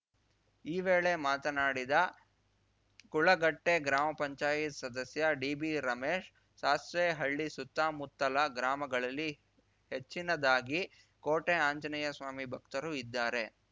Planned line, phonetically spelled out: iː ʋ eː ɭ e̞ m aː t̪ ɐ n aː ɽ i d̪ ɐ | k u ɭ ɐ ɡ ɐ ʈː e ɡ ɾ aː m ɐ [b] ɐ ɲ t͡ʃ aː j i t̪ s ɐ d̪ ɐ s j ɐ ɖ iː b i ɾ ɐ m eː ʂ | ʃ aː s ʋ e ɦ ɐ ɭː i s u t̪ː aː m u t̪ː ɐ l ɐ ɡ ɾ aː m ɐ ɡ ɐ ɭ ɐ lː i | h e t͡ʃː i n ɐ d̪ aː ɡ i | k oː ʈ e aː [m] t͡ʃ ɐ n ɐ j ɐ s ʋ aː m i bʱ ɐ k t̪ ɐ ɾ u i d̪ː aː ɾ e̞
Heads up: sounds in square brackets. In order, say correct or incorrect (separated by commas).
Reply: incorrect, incorrect